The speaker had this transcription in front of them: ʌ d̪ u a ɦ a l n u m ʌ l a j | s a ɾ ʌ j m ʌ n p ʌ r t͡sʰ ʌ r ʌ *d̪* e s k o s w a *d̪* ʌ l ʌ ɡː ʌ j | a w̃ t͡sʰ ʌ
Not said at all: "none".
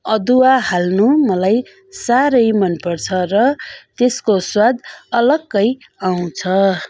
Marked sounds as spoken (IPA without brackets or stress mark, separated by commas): t̪, d̪